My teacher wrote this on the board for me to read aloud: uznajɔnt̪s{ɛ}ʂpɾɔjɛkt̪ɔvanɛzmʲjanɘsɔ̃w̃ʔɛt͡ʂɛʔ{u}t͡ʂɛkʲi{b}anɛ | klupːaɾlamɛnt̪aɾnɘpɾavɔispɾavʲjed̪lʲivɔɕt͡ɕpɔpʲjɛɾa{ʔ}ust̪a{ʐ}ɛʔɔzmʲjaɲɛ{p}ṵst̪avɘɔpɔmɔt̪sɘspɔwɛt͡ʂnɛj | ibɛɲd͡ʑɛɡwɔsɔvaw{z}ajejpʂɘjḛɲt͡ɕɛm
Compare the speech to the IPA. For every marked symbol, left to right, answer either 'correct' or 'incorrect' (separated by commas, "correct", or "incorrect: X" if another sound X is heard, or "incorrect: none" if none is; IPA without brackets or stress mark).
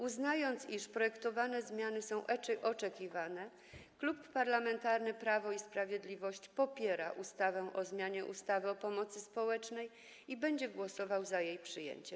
incorrect: i, incorrect: ɔ, incorrect: v, correct, incorrect: v, incorrect: ʔ, correct